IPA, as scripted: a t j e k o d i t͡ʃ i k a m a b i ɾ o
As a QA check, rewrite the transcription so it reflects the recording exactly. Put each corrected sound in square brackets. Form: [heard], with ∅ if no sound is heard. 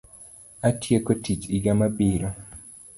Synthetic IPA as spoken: a t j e k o [t] i t͡ʃ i [ɡ] a m a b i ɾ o

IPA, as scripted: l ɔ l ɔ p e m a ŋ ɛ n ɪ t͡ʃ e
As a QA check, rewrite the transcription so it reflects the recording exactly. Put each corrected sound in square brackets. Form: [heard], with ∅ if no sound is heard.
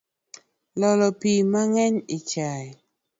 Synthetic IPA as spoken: l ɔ l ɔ p [i] m a ŋ ɛ [ɲ] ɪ t͡ʃ [a]

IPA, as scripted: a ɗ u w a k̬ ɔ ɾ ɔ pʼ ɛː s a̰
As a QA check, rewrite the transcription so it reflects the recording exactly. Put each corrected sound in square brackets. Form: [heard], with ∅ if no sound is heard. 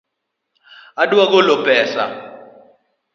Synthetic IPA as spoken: a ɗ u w a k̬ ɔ [l] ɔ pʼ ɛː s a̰

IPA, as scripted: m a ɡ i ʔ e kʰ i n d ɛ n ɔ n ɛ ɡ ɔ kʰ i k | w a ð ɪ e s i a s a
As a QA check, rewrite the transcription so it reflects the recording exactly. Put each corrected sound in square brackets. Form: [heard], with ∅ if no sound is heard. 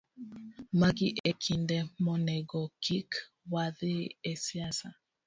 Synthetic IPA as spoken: m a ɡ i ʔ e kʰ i n d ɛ [m] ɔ n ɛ ɡ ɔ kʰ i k | w a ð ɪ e s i a s a

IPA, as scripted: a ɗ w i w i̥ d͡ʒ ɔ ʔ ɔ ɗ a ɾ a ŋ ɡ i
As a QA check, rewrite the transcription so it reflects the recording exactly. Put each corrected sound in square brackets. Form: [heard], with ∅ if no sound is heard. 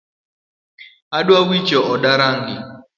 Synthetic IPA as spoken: a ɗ w [a] w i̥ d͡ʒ ɔ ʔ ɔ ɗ a ɾ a ŋ ɡ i

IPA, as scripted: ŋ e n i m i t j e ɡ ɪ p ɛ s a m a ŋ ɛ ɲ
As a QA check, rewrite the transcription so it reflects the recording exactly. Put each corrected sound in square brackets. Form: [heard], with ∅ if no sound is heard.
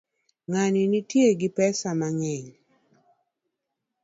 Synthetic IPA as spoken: ŋ [a] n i [n] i t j e ɡ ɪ p ɛ s a m a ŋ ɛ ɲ

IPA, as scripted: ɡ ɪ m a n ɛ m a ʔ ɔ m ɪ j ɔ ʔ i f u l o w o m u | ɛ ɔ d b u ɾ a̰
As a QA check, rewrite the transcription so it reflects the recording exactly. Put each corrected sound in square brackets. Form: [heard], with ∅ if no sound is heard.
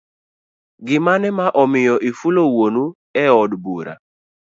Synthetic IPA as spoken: ɡ ɪ m a n ɛ m a ʔ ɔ m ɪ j ɔ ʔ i f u l o w o [n] u | ɛ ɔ d b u ɾ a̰

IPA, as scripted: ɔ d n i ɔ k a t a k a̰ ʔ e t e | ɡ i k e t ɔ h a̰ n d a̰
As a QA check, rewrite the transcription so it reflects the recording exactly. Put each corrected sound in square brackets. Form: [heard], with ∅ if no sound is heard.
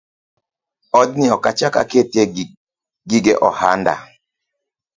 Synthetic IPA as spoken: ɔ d n i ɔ k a [t͡ʃ] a k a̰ [k] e t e | ɡ i [ɡ] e [ʔ] ɔ h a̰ n d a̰

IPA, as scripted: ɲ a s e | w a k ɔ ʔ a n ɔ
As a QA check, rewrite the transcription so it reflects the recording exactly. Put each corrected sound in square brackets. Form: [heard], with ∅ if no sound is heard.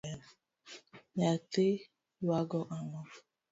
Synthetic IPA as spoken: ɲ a [t] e | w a [ɡ] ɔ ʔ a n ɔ

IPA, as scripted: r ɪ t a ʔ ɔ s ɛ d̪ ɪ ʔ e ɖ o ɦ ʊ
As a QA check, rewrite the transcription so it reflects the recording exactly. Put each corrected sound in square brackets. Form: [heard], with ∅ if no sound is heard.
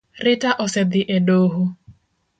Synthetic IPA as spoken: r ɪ t a ʔ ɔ s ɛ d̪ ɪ ʔ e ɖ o ɦ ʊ

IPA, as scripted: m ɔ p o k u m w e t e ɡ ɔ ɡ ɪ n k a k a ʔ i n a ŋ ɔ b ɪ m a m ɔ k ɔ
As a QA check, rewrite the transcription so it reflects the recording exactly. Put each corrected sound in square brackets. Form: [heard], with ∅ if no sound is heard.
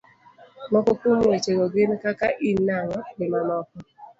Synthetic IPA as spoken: m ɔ [k] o k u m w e [t͡ʃ] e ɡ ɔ ɡ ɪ n k a k a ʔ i n a ŋ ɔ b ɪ m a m ɔ k ɔ

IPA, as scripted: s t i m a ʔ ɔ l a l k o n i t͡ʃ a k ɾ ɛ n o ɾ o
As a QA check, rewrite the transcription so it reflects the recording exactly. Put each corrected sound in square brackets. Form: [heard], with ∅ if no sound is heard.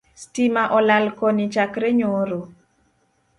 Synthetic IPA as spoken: s t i m a ʔ ɔ l a l k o n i t͡ʃ a k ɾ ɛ [ɲ] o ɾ o

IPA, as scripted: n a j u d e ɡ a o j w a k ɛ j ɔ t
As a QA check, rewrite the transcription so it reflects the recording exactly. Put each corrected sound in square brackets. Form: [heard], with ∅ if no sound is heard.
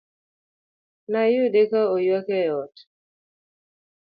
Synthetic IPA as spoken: n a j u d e [k] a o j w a k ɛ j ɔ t

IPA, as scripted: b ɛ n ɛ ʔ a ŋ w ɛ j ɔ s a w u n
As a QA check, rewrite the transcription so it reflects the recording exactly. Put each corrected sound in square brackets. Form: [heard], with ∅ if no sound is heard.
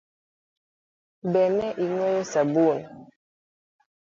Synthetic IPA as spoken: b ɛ n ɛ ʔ [i] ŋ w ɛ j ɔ s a [b] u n

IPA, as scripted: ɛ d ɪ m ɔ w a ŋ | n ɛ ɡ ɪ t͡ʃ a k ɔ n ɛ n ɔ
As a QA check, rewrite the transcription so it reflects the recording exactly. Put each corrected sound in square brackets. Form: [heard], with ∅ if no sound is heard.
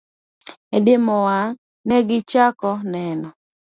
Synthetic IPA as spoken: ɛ d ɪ m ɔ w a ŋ | n ɛ ɡ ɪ t͡ʃ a k ɔ n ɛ n ɔ

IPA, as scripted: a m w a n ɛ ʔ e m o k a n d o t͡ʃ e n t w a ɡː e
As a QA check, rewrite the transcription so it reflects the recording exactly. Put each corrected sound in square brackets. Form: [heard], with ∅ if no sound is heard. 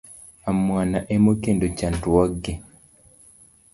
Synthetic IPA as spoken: a m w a n [a] ʔ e m o k [e] n d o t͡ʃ [a] n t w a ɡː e

